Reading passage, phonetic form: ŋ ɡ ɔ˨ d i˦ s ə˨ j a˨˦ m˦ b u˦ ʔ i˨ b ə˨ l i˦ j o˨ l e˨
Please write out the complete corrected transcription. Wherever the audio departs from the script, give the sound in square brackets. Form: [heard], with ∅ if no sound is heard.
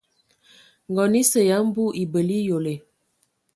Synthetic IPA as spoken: ŋ ɡ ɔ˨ [n] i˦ s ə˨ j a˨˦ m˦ b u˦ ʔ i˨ b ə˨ l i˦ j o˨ l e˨

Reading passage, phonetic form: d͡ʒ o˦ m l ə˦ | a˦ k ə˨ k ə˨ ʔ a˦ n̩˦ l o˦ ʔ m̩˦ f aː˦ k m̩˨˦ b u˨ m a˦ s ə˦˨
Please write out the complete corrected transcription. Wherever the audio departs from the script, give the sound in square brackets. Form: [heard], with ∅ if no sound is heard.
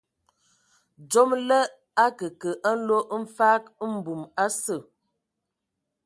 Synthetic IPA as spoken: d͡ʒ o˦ m l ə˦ | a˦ k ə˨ k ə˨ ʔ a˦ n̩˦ l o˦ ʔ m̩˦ f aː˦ k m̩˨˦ b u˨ m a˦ s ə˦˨

